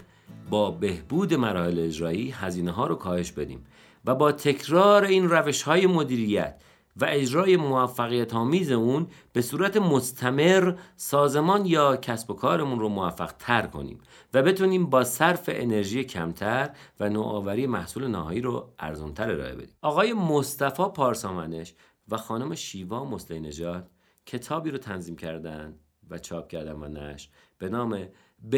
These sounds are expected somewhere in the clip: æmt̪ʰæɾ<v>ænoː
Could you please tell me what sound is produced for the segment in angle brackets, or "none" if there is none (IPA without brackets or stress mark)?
v